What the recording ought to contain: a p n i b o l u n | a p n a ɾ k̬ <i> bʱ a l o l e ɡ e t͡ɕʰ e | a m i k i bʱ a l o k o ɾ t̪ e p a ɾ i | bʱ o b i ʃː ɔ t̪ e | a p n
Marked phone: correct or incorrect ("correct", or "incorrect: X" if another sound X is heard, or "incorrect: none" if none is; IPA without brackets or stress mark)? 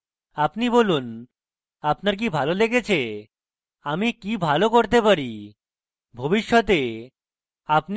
correct